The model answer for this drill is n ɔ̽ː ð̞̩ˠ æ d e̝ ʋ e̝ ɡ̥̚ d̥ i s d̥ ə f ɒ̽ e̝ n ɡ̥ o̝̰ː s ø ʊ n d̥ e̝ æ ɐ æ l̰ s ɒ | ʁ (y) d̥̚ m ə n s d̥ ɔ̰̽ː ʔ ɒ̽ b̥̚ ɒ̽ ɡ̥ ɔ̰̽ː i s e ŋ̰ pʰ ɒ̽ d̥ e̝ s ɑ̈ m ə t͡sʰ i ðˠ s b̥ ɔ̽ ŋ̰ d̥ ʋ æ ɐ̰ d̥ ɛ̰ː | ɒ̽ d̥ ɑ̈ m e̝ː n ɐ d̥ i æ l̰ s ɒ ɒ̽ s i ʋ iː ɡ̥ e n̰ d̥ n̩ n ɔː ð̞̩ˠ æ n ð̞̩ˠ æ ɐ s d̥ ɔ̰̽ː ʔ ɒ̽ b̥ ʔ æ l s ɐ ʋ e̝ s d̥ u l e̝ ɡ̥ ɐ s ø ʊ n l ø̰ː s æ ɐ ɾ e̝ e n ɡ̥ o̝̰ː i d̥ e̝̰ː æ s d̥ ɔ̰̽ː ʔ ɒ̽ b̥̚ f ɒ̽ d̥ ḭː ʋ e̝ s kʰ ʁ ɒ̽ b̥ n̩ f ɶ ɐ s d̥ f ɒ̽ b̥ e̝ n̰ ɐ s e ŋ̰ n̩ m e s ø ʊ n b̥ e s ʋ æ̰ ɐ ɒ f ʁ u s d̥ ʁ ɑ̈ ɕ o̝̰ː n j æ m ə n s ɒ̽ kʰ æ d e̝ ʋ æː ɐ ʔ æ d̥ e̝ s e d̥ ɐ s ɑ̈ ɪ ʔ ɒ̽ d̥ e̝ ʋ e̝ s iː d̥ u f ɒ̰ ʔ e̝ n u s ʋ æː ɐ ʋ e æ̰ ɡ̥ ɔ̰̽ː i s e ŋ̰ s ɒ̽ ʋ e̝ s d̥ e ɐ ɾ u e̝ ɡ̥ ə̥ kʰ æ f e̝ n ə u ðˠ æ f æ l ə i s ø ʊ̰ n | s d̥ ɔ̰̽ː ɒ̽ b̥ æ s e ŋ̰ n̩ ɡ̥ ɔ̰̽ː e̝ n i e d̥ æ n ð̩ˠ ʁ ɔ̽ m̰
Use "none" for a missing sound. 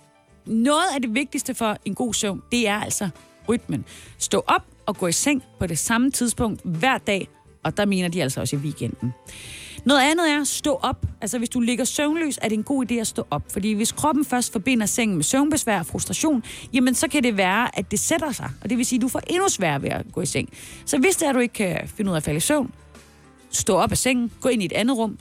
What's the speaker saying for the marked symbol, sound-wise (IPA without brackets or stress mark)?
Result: y